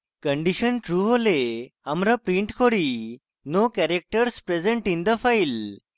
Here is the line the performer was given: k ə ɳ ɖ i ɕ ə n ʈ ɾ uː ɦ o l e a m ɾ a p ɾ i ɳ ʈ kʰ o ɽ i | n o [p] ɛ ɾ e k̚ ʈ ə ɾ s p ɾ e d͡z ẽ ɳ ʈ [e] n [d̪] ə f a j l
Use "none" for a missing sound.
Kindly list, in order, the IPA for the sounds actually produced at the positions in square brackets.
k, i, d̪

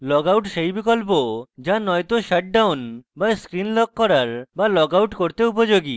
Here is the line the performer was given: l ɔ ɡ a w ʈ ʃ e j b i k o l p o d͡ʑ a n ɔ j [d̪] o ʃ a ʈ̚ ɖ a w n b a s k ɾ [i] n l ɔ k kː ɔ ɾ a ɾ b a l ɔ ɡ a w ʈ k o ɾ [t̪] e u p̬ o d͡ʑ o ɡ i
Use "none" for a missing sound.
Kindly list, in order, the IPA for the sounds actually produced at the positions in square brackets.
t̪, i, t̪

